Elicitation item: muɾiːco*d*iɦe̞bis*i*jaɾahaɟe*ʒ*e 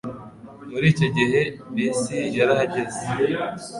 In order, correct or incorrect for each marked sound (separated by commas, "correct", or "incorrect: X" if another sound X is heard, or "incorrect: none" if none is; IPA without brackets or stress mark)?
incorrect: ɟ, correct, incorrect: z